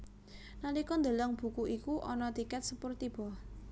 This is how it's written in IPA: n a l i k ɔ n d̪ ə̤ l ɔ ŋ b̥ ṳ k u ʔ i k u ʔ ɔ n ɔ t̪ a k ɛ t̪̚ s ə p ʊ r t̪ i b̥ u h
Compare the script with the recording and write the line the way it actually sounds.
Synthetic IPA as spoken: n a l i k ɔ n d̪ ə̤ l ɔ ŋ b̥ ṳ k u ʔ i k u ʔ ɔ n ɔ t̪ i k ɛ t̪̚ s ə p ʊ r t̪ i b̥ ɔ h